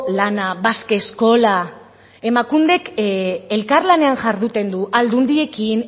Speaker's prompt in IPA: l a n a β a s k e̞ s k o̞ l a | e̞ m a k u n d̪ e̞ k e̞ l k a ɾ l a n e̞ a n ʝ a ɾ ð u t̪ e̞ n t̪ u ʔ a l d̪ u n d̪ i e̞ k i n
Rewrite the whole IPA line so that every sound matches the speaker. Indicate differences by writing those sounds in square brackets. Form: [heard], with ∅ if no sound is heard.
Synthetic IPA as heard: l a n a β a s k e̞ s k o̞ l a | e̞ m a k u n d̪ e̞ k e̞ l k a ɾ l a n e̞ a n ʝ a ɾ ð u t̪ e̞ n [d̪] u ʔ a l d̪ u n d̪ i e̞ k i n